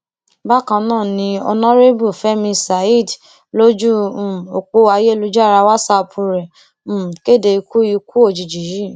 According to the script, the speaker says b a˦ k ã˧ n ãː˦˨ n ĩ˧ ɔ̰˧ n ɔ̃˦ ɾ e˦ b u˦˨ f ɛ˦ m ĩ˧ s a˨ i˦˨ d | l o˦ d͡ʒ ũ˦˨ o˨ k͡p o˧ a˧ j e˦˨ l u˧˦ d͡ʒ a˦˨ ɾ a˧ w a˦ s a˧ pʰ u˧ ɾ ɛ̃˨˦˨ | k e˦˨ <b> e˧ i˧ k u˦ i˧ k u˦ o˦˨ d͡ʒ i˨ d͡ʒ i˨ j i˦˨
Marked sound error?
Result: yes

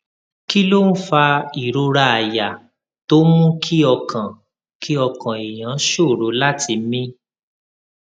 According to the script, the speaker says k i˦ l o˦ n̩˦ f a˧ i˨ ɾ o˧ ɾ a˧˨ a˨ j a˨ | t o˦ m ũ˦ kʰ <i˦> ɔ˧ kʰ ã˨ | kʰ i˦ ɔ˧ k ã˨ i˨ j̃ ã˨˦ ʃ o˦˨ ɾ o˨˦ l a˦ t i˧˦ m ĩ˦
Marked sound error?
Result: no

